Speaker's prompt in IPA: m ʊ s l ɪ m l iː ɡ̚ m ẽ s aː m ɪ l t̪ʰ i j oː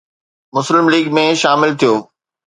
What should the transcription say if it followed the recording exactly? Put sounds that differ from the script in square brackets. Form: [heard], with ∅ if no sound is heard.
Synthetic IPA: m ʊ s l ɪ m l iː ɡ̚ m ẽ [ʃ] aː m ɪ l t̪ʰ i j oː